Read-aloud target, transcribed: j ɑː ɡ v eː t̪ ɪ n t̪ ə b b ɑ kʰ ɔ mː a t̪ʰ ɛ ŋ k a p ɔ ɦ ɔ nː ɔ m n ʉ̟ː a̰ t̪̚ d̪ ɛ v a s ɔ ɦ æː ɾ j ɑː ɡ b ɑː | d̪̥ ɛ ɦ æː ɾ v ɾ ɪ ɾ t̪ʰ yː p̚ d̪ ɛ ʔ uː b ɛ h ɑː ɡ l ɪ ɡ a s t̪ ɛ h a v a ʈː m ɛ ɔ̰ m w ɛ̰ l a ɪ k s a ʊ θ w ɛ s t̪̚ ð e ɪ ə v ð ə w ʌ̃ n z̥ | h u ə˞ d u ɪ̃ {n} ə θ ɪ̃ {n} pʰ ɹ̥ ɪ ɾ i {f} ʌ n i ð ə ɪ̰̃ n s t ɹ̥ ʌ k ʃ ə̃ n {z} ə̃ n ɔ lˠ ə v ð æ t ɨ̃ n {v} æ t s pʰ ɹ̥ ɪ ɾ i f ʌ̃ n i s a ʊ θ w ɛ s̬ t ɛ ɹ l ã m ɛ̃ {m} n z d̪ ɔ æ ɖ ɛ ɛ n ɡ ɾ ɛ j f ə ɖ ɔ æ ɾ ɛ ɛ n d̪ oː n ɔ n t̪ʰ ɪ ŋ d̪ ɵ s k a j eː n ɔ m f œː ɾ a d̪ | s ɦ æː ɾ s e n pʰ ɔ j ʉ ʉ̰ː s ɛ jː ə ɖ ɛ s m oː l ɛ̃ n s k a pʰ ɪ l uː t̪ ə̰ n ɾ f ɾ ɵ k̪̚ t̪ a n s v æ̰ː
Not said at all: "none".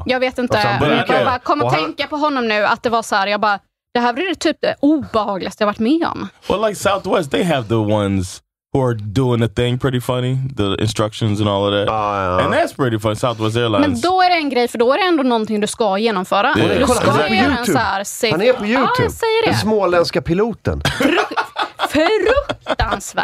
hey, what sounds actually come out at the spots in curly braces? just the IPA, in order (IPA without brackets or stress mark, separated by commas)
ŋ, ŋ, f, z, ð, n